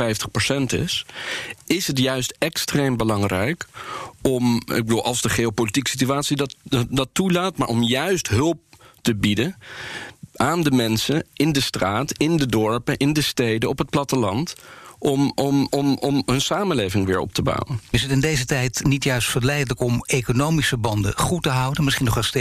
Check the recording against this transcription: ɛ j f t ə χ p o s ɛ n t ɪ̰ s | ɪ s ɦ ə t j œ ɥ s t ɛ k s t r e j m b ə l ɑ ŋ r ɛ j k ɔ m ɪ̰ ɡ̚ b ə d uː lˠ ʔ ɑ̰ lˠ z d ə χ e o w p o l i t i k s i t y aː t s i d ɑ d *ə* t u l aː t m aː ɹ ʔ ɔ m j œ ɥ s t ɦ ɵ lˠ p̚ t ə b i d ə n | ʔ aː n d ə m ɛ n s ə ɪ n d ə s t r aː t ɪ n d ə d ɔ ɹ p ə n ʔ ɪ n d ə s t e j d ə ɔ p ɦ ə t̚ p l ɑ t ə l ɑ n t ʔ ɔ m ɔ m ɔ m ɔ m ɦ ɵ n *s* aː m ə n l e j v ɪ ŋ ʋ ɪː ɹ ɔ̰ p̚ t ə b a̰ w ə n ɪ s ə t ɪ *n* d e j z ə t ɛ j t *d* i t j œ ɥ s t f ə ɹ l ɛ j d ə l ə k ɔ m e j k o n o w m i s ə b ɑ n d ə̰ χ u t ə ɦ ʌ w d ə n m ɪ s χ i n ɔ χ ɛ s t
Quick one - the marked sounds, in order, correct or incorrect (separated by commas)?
incorrect, correct, correct, incorrect